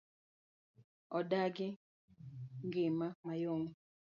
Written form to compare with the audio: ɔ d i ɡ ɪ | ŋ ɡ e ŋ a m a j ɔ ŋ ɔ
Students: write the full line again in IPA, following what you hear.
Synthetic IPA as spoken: ɔ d a ɡ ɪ | ŋ ɡ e m a m a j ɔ ŋ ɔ